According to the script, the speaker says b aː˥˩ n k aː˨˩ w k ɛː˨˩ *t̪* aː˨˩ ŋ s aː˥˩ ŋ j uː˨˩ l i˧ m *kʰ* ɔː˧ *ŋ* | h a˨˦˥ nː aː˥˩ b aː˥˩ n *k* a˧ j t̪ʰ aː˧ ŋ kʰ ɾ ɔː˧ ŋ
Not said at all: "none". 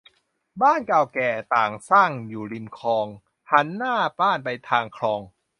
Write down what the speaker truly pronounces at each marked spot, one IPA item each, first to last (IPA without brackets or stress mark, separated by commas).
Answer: t̪, kʰ, ŋ, p